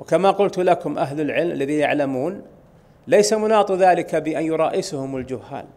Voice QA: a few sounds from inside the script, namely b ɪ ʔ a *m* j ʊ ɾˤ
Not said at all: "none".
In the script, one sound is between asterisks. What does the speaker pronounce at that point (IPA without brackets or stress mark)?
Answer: n